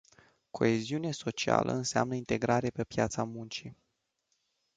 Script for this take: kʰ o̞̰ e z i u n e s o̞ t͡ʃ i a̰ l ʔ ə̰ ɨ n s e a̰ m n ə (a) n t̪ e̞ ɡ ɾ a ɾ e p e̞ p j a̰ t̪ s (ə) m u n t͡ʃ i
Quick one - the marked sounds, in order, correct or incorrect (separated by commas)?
incorrect, incorrect